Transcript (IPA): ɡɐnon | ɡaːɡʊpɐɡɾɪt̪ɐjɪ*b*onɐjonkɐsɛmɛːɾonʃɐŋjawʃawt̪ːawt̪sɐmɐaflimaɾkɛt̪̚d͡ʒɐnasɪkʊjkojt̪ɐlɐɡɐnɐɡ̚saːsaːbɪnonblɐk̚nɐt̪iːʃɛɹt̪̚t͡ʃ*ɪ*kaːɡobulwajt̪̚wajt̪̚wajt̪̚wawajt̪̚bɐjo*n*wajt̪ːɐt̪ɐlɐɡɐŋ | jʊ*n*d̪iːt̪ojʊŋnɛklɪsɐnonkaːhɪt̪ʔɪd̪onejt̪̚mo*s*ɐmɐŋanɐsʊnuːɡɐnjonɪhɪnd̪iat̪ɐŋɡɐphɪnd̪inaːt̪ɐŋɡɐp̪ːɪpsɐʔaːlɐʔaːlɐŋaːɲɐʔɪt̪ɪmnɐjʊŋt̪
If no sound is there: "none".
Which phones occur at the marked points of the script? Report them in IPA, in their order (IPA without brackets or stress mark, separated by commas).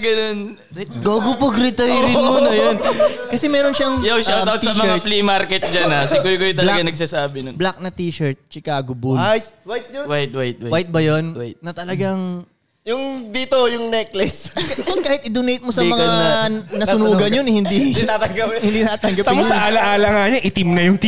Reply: m, ɪ, n, ŋ, s